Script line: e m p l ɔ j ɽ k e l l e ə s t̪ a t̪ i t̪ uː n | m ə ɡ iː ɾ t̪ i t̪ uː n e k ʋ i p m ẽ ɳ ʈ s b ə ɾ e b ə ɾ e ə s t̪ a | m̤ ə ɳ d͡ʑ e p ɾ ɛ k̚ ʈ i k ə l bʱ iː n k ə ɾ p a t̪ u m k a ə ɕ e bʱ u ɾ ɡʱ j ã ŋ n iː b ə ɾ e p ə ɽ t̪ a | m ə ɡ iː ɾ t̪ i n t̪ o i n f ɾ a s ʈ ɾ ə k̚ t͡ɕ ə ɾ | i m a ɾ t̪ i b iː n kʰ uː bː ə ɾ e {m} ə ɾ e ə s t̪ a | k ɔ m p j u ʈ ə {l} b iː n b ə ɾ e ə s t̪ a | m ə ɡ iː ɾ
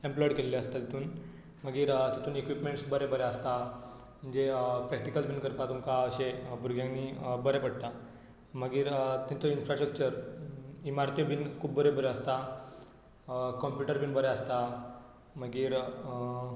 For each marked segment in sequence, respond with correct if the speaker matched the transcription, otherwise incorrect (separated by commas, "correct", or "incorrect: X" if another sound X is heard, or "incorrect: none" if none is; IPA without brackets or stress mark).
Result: incorrect: b, incorrect: ɾ